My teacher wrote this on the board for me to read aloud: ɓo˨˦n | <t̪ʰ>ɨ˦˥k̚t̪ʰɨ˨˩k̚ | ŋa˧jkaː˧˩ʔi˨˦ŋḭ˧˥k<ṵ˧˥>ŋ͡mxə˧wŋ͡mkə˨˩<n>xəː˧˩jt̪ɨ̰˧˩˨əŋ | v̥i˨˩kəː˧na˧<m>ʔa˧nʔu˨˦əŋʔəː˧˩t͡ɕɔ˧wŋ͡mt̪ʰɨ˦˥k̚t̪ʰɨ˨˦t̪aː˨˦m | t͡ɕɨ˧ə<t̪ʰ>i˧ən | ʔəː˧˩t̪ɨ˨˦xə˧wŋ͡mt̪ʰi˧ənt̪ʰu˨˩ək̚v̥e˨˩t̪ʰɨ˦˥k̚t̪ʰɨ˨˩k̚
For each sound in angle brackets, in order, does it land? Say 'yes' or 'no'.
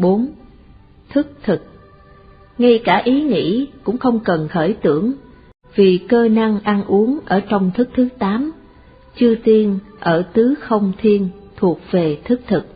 yes, no, yes, no, no

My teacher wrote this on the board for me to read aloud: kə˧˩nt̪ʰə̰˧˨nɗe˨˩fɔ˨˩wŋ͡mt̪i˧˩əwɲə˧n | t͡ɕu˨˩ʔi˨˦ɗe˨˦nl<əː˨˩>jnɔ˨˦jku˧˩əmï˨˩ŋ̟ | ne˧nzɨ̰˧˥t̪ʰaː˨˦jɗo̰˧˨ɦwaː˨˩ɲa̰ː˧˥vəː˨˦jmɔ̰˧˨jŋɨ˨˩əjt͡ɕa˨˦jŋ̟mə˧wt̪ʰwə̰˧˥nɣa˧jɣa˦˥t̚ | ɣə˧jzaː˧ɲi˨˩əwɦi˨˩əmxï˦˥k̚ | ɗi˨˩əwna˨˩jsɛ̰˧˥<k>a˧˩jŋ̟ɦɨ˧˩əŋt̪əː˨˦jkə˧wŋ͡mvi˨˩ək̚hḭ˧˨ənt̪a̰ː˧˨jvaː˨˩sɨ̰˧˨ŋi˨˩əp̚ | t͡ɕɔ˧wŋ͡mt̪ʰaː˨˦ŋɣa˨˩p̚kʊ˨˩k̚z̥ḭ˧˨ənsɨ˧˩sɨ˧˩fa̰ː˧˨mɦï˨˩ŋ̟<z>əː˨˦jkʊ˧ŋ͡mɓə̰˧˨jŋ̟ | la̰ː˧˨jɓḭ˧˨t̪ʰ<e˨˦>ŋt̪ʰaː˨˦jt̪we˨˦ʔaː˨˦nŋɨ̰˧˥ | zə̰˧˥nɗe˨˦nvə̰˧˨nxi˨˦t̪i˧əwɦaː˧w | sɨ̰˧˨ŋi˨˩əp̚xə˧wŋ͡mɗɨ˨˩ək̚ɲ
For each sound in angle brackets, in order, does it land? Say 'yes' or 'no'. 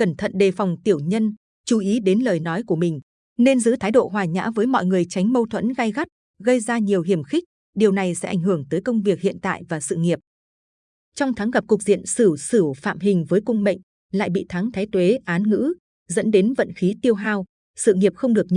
yes, no, no, no

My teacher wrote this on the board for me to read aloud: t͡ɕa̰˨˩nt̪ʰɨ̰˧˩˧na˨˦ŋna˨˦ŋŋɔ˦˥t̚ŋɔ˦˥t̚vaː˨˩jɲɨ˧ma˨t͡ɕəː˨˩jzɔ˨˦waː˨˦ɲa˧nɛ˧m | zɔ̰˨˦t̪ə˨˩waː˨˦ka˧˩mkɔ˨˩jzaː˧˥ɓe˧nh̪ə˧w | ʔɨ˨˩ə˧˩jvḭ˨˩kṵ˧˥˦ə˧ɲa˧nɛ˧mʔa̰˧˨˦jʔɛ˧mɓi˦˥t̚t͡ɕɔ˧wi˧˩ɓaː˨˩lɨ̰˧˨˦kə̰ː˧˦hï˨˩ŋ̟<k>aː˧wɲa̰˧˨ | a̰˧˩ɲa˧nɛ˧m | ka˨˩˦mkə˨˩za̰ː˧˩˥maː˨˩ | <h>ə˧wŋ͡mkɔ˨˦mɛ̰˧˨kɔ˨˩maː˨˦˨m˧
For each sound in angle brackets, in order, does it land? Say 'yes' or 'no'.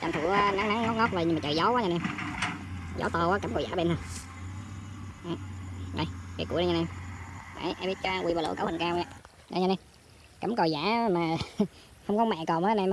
yes, yes

